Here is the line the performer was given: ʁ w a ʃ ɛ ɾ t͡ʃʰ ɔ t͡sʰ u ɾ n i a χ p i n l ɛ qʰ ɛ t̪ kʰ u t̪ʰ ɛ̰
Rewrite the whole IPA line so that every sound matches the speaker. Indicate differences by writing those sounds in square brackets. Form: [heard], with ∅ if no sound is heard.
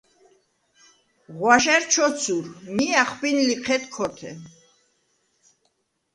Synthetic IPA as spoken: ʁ w a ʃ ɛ ɾ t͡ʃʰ ɔ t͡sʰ u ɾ [m] i a χ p i n l [i] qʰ ɛ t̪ kʰ [ɔ] t̪ʰ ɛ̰